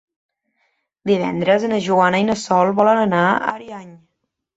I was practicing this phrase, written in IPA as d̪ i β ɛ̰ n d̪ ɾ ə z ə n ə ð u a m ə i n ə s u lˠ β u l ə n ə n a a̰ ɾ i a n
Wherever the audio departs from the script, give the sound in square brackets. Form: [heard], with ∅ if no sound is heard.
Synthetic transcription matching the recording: d̪ i β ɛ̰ n d̪ ɾ ə z ə n ə [ʒ] u a [n] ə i n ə s [ɔ] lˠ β [ɔ] l ə n ə n a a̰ ɾ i a [ɲ]